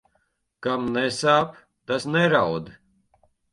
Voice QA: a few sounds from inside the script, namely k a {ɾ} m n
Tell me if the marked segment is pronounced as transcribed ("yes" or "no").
no